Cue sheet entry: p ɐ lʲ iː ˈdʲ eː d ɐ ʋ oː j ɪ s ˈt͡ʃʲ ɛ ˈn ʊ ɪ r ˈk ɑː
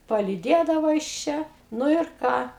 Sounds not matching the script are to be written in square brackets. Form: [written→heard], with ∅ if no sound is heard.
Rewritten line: p ɐ lʲ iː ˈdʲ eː d ɐ ʋ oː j ɪ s ˈt͡ʃʲ ɛ ˈn ʊ ɪ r ˈk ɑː